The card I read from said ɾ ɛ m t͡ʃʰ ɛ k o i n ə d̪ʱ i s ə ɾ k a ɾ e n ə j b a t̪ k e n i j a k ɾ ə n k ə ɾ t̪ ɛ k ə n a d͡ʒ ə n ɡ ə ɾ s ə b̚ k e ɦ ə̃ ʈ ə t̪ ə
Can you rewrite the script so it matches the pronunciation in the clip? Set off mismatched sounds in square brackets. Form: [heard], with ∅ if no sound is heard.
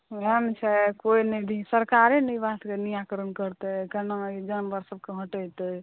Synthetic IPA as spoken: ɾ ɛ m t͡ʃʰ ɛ k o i n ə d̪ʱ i s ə ɾ k a ɾ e n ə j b a t̪ k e n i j a k ɾ ə n k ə ɾ t̪ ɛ k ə n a d͡ʒ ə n [b] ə ɾ s ə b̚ k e ɦ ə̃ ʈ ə t̪ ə